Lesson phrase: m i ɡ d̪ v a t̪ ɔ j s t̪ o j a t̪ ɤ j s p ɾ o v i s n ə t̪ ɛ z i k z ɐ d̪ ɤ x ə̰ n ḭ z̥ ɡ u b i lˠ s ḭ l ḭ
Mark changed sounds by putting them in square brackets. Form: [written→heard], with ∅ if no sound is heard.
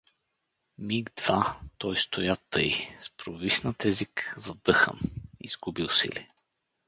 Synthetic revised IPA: m i ɡ d̪ v a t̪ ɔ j s t̪ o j a t̪ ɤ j s p ɾ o v i s n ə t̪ ɛ z i k z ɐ d̪ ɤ x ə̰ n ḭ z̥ ɡ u b i lˠ s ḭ l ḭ